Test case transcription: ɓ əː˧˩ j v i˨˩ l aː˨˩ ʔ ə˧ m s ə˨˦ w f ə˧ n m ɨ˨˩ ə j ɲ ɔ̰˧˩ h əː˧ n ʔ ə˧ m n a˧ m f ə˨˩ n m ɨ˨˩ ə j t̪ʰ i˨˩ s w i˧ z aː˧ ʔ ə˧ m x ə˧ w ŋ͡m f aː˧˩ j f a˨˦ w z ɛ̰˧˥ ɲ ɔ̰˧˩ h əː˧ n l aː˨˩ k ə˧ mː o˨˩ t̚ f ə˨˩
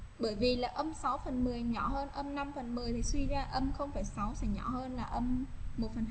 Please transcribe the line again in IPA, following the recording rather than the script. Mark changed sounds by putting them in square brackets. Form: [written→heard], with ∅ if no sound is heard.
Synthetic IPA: ɓ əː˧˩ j v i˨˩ l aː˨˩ ʔ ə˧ m s [ə˨˦→a˨˦] w f [ə˧→ə˨˩] n m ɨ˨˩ ə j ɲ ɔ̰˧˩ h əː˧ n ʔ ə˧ m n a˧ m f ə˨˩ n m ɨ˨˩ ə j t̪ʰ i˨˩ s w i˧ z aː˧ ʔ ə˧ m x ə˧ w ŋ͡m f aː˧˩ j [f→s] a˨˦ w [z→s] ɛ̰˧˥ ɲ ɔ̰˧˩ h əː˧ n l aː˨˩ [k→ʔ] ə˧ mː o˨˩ t̚ f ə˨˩